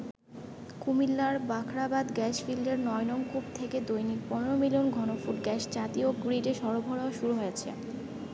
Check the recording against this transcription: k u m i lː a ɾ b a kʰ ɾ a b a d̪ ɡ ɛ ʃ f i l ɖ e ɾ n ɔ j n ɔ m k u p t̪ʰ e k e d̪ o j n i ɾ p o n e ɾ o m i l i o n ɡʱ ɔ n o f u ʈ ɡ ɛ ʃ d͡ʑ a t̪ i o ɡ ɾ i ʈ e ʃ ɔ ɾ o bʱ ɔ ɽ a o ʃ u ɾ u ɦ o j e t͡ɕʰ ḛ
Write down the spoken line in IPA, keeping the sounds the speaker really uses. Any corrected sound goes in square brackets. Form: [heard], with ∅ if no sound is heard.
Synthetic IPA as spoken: k u m i lː a ɾ b a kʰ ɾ a b a d̪ ɡ ɛ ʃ f i l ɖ e ɾ n ɔ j n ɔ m k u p t̪ʰ e k e d̪ o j n i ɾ p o n e ɾ o m i l i o n ɡʱ ɔ n o f u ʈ ɡ ɛ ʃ d͡ʑ a t̪ i o ɡ ɾ i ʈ e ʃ ɔ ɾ o bʱ ɔ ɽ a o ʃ u ɾ u ɦ o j e t͡ɕʰ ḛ